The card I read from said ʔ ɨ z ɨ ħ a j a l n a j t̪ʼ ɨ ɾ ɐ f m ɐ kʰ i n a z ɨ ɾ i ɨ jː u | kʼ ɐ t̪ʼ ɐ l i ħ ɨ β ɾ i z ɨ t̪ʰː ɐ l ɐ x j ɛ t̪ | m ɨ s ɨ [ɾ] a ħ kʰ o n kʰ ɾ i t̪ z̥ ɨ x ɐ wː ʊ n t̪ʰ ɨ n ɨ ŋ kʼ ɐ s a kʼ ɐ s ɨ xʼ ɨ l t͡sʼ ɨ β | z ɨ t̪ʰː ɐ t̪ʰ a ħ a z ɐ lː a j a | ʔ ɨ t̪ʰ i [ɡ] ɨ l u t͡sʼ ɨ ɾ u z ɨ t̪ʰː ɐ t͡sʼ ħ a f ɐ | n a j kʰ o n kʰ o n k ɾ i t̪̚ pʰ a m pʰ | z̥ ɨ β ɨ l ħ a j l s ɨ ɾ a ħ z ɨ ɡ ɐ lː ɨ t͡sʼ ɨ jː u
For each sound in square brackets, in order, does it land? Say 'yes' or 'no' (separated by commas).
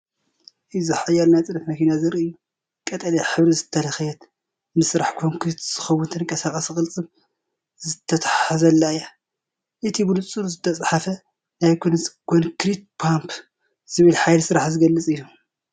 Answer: yes, no